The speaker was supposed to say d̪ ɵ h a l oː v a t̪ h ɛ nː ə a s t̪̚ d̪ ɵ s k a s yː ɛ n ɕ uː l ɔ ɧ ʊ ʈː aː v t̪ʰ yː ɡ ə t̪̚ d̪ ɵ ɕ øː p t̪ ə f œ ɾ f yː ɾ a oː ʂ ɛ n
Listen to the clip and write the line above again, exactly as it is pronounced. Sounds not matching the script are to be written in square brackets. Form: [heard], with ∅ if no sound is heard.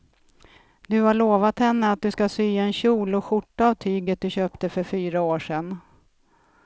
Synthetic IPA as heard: d̪ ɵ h a [ɭ] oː v a t̪ h ɛ nː ə a [∅] t̪̚ d̪ ɵ s k a s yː ɛ n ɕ uː l ɔ ɧ ʊ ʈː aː v t̪ʰ yː ɡ ə t̪̚ d̪ ɵ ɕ øː p t̪ ə f œ ɾ f yː ɾ a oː ʂ ɛ n